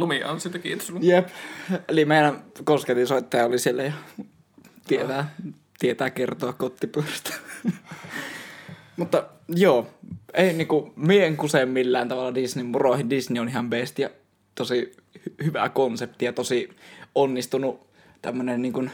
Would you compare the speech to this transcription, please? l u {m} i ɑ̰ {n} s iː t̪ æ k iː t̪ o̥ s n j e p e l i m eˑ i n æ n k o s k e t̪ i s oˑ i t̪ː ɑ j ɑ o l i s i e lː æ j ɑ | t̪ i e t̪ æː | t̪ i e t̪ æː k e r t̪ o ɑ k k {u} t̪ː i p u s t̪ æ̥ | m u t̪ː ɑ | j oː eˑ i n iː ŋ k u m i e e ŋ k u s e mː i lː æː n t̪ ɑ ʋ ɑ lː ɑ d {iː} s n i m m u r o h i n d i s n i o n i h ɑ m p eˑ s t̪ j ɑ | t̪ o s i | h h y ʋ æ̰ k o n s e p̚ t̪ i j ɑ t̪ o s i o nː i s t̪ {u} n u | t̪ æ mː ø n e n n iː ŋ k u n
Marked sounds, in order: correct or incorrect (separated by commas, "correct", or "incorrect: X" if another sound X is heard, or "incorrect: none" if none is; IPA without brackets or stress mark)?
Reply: correct, correct, incorrect: o, incorrect: i, correct